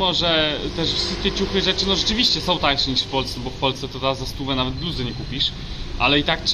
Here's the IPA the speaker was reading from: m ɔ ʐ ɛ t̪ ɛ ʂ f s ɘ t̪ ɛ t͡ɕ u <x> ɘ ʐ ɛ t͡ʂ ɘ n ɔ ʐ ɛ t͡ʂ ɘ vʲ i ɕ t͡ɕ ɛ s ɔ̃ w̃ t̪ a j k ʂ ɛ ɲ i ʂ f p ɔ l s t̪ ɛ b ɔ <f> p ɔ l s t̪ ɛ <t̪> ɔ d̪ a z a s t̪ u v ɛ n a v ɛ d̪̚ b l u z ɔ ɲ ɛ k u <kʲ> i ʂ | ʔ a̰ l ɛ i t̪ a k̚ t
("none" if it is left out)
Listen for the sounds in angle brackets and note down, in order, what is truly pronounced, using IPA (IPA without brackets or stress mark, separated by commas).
x, f, t̪, pʲ